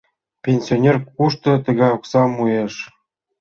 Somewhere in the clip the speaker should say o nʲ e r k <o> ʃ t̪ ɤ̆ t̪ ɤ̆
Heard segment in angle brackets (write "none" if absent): u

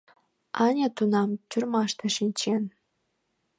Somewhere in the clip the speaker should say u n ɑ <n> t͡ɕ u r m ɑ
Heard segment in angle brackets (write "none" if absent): m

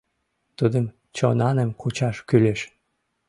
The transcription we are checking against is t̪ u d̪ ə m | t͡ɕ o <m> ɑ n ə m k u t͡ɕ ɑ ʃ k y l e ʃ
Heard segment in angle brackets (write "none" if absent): n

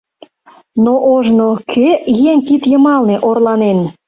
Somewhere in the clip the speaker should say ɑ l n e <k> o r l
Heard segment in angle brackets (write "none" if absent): ʔ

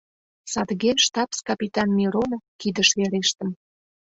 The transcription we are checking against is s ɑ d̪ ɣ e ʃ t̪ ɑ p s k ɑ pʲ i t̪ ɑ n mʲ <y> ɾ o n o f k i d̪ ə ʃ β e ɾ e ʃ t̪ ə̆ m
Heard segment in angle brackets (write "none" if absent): i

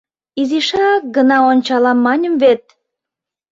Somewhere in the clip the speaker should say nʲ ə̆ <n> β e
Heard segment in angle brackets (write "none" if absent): m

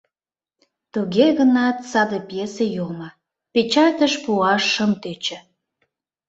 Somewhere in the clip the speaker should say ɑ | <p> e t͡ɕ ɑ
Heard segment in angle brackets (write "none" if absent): p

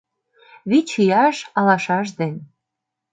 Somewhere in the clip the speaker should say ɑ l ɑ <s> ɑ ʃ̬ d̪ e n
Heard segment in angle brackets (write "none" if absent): ʃ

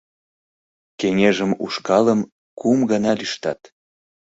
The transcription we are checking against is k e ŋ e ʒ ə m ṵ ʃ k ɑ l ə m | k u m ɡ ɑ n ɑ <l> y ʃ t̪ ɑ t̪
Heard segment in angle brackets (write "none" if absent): l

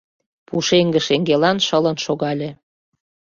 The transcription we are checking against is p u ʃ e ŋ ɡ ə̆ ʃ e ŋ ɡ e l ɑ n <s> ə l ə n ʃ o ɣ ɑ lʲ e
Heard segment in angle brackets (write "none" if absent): ʃ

